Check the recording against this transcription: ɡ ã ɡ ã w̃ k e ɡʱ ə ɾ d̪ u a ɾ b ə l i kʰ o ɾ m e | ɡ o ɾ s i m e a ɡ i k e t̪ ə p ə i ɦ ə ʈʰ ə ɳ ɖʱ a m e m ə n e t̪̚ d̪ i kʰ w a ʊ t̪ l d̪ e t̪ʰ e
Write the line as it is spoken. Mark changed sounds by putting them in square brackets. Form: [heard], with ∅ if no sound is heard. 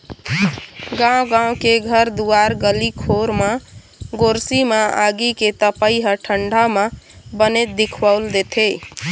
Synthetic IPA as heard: ɡ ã ɡ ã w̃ k e ɡʱ ə ɾ d̪ u a ɾ [ɡ] ə l i kʰ o ɾ m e | ɡ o ɾ s i m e a ɡ i k e t̪ ə p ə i ɦ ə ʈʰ ə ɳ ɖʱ a m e [b] ə n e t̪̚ d̪ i kʰ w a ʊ [∅] l d̪ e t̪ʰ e